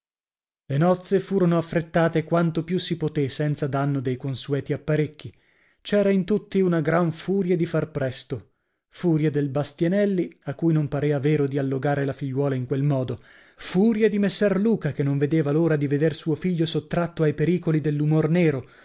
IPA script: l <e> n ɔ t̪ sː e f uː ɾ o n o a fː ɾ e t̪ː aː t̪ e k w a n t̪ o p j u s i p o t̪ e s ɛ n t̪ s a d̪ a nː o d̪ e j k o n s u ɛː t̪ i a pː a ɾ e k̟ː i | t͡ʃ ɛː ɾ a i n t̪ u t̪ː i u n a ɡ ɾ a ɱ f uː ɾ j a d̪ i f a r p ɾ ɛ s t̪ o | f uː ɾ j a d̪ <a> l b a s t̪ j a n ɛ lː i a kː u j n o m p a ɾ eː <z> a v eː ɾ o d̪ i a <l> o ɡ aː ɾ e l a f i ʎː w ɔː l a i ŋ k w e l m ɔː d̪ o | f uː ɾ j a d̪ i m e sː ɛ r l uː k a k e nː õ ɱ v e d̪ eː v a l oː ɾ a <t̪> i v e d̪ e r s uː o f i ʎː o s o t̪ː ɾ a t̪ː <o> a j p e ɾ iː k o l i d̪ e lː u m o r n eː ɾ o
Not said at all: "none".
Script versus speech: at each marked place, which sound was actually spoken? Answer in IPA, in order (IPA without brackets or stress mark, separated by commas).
e, e, v, lː, d̪, o